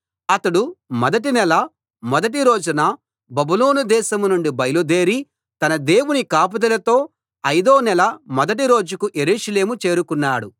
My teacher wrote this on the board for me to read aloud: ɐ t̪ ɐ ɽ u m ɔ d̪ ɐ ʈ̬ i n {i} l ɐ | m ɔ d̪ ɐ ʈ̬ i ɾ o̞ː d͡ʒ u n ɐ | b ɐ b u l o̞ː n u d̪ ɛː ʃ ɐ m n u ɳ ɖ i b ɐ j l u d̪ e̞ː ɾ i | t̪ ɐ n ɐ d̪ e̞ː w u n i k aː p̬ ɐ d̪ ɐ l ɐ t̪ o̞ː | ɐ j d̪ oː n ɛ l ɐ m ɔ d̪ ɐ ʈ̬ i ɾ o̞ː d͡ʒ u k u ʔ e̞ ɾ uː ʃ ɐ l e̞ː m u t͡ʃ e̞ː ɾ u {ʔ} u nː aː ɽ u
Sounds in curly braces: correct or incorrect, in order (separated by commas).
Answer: incorrect, incorrect